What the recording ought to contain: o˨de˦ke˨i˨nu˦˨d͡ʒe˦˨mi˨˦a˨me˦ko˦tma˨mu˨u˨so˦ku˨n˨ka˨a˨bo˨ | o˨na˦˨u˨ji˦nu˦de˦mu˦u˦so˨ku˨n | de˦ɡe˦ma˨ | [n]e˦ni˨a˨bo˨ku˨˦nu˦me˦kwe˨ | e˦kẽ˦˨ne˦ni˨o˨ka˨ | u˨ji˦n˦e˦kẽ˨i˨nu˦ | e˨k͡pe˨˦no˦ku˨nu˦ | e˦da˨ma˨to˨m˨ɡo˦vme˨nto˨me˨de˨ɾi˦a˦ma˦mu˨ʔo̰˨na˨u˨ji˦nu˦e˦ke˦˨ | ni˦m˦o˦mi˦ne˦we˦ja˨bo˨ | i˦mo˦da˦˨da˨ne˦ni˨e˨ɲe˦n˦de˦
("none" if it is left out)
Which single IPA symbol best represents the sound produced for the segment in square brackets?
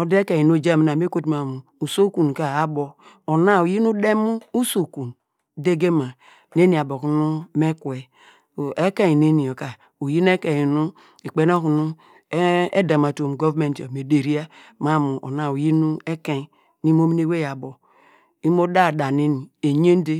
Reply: n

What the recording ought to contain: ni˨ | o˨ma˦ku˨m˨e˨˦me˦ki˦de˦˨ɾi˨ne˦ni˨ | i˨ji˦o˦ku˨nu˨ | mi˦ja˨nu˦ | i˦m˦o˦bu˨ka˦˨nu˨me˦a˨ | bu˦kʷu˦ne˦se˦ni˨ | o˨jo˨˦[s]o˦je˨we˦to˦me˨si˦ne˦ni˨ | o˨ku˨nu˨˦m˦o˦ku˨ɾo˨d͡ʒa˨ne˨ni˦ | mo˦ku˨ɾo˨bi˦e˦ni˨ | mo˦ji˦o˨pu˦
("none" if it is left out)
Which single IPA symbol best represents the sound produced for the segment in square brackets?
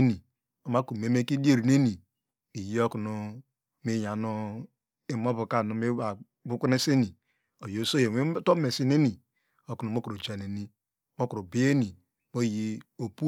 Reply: s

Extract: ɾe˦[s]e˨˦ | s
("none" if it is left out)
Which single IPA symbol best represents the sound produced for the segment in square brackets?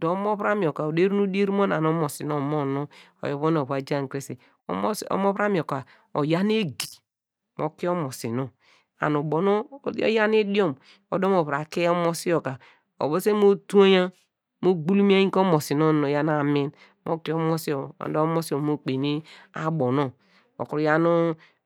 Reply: s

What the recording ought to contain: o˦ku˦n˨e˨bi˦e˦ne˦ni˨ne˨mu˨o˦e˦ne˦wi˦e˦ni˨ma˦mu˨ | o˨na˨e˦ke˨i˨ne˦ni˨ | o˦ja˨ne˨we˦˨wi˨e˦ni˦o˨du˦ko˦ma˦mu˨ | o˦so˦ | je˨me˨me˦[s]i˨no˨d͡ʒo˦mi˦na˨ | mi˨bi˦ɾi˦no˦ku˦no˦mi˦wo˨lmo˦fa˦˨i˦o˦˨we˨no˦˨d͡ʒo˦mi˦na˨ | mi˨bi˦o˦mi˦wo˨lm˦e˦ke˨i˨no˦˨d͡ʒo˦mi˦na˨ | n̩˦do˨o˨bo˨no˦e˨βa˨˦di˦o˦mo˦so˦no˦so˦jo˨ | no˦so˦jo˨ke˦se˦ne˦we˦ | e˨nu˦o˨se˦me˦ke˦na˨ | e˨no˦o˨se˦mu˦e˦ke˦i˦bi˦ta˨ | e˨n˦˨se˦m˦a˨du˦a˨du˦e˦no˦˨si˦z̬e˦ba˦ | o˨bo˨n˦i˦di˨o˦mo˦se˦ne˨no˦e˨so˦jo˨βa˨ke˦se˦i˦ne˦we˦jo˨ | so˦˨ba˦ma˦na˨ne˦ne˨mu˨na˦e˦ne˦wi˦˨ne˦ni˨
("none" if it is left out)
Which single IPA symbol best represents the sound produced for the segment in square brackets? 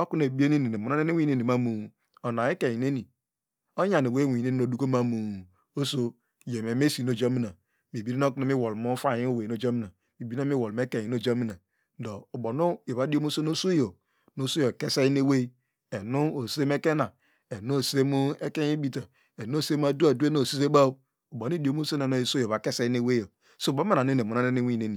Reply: s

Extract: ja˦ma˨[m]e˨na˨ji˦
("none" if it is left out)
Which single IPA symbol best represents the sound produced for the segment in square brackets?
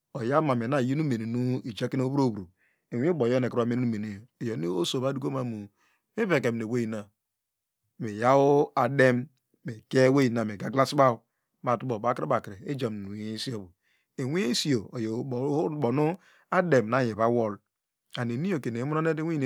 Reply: m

